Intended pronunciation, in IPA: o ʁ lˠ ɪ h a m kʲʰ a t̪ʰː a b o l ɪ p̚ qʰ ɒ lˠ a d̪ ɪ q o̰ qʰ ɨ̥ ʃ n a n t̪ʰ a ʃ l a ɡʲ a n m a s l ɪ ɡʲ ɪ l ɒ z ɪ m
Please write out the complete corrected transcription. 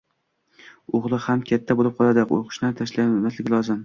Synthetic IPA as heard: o ʁ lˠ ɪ h a m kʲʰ a t̪ʰː a b o l ɪ p̚ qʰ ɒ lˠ a d̪ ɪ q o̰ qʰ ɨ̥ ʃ n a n t̪ʰ a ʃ l a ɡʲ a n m a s l ɪ ɡʲ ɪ l ɒ z ɪ m